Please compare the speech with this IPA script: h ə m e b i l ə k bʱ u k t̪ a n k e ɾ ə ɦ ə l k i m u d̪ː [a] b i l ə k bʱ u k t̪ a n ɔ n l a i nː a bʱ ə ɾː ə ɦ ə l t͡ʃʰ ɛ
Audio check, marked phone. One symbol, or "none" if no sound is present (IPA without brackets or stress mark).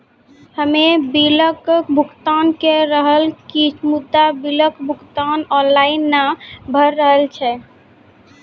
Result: a